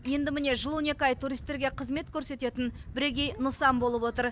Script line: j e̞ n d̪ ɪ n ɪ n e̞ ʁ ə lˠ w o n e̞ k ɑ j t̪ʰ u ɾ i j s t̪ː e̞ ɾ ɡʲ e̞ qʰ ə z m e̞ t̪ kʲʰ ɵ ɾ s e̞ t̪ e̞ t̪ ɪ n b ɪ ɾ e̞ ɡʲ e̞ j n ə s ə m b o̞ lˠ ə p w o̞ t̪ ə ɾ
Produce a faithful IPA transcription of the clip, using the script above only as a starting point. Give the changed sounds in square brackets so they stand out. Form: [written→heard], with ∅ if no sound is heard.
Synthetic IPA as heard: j e̞ n d̪ ɪ [n→m] ɪ n e̞ [ʁ→ʒ] ə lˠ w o n e̞ k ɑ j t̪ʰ u ɾ i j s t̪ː e̞ ɾ ɡʲ e̞ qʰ ə z m e̞ t̪ kʲʰ ɵ ɾ s e̞ t̪ e̞ t̪ ɪ n b ɪ ɾ e̞ ɡʲ e̞ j n ə s [ə→ɑ] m b o̞ lˠ ə p w o̞ t̪ ə ɾ